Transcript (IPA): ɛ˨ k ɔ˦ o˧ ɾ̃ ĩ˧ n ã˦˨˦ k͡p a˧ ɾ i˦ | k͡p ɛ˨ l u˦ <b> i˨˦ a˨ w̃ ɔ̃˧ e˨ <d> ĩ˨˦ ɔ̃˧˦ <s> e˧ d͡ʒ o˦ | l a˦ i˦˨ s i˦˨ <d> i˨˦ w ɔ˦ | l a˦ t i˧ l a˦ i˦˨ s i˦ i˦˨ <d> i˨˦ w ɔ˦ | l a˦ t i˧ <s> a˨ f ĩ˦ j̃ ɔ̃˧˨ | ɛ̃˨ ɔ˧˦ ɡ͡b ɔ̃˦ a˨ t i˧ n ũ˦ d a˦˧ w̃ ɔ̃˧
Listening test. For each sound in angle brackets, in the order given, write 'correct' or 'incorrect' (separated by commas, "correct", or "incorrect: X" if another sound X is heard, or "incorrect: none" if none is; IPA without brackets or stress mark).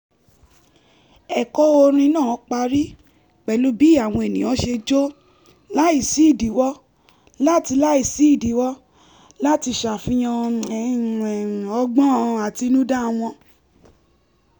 correct, incorrect: n, incorrect: ʃ, correct, correct, incorrect: ʃ